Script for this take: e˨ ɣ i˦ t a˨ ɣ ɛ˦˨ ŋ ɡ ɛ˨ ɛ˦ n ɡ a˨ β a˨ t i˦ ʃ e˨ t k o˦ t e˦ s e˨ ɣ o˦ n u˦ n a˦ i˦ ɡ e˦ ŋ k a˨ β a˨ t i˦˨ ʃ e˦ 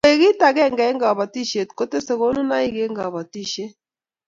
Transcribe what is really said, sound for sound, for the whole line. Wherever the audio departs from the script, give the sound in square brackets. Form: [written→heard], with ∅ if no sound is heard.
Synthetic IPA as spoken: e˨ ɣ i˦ t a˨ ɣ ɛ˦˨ ŋ ɡ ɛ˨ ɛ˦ [n→ŋ] ɡ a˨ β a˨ t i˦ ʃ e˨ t k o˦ t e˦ s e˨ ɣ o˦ n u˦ n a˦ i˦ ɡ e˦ ŋ [k→ɡ] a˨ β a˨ t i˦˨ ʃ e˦